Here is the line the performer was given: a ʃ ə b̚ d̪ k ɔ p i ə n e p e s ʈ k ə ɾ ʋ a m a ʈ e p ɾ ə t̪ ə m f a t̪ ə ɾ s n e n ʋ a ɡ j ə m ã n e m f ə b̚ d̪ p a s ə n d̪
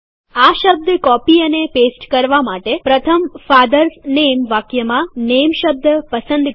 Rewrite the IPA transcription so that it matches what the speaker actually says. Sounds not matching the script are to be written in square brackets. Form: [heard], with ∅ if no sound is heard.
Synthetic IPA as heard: a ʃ ə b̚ d̪ k ɔ p i ə n e p e s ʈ k ə ɾ ʋ a m a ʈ e p ɾ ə [t̪ʰ] ə m f a [d̪] ə ɾ s n e [m] ʋ a [k] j ə m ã n e m [ʃ] ə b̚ d̪ p [ə] s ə n d̪